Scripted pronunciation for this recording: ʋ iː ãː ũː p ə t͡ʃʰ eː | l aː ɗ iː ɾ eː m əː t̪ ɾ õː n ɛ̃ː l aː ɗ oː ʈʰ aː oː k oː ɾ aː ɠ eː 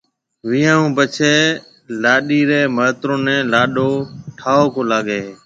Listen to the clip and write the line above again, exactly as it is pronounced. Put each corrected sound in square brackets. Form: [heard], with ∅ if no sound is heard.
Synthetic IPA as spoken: ʋ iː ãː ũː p ə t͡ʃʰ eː | l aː ɗ iː ɾ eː m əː t̪ ɾ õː n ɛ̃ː l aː ɗ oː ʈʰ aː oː k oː [l] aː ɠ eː